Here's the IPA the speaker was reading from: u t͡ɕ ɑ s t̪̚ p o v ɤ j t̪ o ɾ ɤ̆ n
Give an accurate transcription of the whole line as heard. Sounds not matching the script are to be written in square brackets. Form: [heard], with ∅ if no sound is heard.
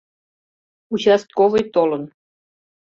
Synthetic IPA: u t͡ɕ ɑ s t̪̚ [k] o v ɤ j t̪ o [l] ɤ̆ n